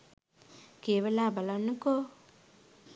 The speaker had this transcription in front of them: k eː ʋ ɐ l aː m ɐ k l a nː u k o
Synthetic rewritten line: k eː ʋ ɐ l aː b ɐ l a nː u k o

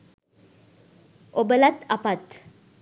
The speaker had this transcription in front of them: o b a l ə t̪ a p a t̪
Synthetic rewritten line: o b ə l a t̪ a p a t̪

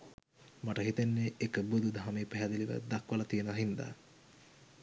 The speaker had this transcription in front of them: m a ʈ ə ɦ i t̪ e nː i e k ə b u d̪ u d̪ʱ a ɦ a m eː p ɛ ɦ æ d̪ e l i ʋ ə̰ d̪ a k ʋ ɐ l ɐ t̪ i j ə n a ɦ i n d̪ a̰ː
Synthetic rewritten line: m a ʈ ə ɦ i t̪ e nː e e k ə b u d̪ u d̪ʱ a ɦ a m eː p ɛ ɦ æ d̪ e l i ʋ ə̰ d̪ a k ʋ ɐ l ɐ t̪ i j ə n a ɦ i n d̪ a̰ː

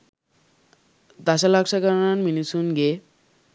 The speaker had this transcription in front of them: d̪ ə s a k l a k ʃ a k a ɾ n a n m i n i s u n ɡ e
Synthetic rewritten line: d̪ a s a l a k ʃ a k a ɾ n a n m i n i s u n ɡ e

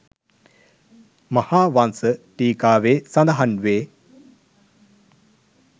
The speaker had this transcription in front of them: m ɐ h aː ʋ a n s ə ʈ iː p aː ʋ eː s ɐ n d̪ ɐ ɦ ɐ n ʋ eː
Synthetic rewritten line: m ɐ h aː ʋ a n s ə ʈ iː k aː ʋ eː s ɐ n d̪ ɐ ɦ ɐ n ʋ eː

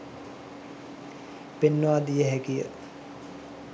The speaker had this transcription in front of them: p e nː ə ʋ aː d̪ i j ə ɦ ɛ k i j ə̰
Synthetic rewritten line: p e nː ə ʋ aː d̪ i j ə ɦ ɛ k i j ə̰

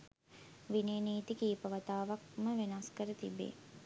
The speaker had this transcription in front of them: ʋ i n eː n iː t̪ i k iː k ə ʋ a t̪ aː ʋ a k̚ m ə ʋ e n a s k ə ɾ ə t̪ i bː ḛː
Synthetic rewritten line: ʋ i n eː n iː t̪ i k iː p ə ʋ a t̪ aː ʋ a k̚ m ə ʋ e n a s k ə ɾ ə t̪ i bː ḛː

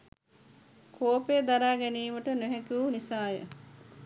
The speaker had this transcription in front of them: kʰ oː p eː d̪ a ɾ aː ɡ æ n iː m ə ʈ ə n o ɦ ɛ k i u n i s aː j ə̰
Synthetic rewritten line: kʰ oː p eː d̪ a ɾ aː ɡ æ n iː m ə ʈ ə n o ɦ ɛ k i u n i s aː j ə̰

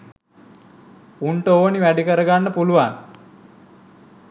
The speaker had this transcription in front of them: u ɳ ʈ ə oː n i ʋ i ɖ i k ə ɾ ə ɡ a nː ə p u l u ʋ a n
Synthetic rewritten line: u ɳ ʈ ə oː n i ʋ æ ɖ i k ə ɾ ə ɡ a nː ə p u l u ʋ a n

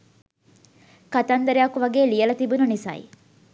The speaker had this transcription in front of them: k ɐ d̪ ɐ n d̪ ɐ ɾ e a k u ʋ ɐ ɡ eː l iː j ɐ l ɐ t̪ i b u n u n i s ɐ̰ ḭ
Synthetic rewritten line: k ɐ t̪ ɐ n d̪ ɐ ɾ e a k u ʋ ɐ ɡ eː l i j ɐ l ɐ t̪ i b u n u n i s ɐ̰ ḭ

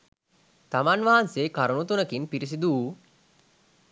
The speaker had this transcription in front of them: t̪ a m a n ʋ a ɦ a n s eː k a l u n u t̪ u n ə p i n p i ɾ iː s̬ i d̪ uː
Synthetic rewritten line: t̪ a m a n ʋ a ɦ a n s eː k a ɾ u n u t̪ u n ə k i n p i ɾ i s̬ i d̪ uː

